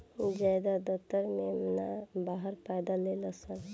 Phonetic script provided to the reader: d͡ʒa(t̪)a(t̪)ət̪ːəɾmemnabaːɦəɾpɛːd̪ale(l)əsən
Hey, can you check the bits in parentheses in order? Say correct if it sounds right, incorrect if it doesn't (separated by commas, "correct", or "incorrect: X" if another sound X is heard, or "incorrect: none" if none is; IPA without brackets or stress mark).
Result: incorrect: d̪, incorrect: d̪, correct